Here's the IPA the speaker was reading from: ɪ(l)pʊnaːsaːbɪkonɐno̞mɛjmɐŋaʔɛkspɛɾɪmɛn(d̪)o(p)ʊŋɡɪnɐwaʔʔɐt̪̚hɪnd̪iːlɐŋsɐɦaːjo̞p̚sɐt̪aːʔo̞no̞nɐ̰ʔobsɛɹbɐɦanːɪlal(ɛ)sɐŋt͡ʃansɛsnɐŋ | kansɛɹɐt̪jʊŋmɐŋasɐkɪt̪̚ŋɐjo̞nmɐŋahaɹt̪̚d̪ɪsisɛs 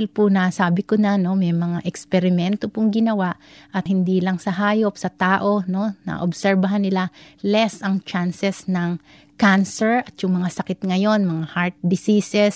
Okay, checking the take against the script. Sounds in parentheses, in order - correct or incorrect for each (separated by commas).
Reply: correct, incorrect, correct, correct